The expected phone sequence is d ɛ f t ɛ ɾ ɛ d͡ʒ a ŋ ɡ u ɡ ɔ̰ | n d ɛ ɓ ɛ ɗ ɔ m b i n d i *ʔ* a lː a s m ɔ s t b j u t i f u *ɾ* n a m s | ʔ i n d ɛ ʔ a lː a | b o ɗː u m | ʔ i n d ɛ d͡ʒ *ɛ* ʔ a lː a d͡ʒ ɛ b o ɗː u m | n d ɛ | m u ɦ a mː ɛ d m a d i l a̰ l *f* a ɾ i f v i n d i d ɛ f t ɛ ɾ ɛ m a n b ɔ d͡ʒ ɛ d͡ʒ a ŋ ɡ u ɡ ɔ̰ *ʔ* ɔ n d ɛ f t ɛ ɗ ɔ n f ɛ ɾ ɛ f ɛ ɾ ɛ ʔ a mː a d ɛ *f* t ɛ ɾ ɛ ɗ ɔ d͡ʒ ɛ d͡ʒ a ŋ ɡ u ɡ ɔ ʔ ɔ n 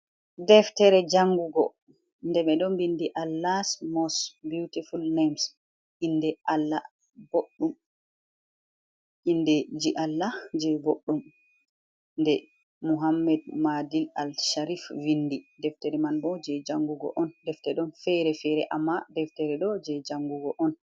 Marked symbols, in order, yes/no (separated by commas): yes, no, no, no, yes, yes